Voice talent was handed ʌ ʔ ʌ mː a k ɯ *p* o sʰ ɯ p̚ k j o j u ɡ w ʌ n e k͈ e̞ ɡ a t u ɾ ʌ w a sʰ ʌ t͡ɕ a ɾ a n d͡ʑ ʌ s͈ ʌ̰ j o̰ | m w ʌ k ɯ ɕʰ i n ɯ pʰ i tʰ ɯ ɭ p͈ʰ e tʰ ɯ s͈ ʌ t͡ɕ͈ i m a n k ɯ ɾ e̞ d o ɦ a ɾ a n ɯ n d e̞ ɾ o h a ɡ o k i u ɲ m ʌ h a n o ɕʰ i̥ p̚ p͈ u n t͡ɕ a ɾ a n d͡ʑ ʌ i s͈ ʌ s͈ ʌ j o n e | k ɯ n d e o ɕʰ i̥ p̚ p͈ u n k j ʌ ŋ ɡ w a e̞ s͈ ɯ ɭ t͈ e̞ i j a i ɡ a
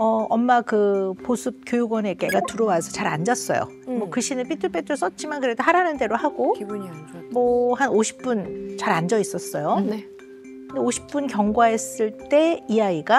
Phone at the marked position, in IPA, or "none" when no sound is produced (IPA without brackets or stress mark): p